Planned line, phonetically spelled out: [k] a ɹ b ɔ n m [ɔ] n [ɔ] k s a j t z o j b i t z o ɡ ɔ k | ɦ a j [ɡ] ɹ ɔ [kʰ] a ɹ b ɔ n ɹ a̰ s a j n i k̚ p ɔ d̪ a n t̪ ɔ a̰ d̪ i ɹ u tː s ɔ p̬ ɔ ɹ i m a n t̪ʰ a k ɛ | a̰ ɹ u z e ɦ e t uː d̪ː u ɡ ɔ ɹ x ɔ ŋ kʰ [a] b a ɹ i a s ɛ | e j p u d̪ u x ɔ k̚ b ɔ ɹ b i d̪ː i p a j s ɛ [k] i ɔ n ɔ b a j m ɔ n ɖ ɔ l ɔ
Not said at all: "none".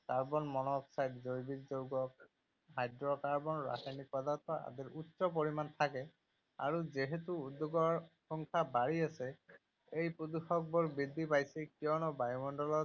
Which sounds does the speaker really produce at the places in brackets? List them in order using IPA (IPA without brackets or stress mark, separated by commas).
k, ɔ, ɔ, d, k, a, k